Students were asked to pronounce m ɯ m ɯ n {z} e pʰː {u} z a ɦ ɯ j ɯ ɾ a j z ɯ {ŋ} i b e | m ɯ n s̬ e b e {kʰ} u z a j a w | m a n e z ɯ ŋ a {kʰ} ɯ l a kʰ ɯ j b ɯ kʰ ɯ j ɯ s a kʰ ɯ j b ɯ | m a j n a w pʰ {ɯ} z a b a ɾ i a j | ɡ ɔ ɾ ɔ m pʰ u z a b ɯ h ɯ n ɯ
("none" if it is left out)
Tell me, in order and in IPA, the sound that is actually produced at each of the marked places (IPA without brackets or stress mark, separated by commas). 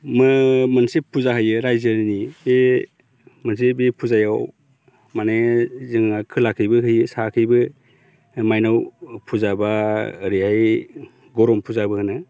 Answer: s, u, n, pʰ, kʰ, u